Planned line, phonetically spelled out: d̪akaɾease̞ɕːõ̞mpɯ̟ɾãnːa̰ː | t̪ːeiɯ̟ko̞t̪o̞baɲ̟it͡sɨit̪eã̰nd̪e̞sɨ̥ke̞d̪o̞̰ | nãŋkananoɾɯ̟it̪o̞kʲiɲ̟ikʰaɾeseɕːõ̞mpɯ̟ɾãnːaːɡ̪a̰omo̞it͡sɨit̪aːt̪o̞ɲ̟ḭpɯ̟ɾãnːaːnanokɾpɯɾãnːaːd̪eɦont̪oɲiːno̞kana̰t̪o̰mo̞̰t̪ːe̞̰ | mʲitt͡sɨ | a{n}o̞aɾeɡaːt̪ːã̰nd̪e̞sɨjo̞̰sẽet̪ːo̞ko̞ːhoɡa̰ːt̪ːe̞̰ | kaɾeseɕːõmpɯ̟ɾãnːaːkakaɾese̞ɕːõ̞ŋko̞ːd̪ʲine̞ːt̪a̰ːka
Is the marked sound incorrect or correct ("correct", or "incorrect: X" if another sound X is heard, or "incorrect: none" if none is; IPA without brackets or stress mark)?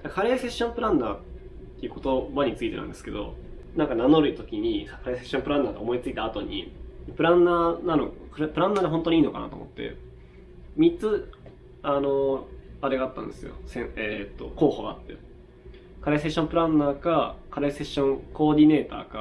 correct